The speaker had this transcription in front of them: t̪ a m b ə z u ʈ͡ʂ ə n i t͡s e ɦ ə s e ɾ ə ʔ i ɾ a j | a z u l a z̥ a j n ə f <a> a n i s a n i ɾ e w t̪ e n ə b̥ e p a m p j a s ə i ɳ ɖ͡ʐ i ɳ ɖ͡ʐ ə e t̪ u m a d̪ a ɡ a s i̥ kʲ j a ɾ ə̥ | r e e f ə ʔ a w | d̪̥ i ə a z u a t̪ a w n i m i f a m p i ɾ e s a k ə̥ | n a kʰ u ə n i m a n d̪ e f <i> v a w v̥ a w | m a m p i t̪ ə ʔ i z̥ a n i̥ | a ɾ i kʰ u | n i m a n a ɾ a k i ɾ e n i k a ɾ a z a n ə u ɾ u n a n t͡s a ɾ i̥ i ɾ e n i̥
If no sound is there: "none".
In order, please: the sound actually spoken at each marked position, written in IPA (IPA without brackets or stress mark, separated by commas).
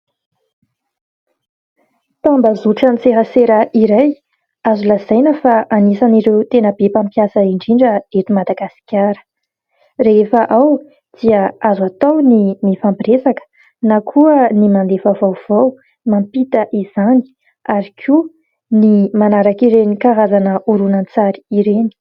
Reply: a, a